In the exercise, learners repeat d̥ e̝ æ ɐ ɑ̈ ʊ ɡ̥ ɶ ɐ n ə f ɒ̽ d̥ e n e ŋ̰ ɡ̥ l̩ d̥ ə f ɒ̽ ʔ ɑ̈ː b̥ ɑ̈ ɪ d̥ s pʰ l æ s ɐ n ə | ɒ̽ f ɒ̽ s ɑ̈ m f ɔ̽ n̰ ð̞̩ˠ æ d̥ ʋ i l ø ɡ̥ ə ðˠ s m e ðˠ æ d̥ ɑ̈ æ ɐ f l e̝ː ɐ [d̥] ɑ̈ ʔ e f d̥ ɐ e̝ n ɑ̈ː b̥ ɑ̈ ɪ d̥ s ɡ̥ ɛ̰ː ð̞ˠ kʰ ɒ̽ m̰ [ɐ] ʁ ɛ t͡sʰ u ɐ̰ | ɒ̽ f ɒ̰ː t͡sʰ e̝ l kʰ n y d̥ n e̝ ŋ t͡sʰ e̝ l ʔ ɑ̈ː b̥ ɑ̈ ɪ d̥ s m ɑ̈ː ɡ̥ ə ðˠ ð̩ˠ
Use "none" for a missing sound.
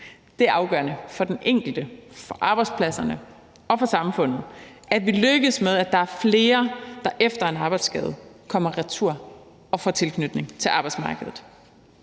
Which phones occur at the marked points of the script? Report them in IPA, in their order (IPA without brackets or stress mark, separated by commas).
d̥, ɐ